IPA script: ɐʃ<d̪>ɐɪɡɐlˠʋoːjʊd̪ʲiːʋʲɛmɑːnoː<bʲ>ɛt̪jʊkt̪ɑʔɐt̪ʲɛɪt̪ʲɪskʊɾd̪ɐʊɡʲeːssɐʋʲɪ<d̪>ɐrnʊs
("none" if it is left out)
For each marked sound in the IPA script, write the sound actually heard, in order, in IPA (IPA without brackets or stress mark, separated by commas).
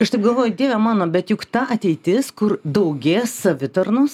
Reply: t̪, bʲ, t̪